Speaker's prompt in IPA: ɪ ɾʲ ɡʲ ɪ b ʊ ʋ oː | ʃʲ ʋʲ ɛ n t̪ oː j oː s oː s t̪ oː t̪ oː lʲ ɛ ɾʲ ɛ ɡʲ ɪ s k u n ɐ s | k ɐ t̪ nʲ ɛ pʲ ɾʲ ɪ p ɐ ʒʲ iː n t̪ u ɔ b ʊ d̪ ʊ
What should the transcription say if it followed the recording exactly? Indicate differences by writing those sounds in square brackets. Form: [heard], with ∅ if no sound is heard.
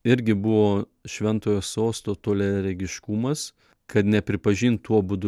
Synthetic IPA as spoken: ɪ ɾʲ ɡʲ ɪ b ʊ ʋ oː | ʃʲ ʋʲ ɛ n t̪ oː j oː s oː s t̪ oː t̪ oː lʲ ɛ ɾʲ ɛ ɡʲ ɪ [ʃ] k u [m] ɐ s | k ɐ t̪ nʲ ɛ pʲ ɾʲ ɪ p ɐ ʒʲ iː n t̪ u ɔ b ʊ d̪ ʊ